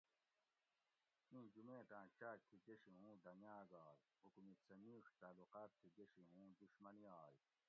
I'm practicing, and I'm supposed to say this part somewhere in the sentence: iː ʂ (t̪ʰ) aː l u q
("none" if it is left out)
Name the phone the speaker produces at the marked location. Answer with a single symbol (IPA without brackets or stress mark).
t̪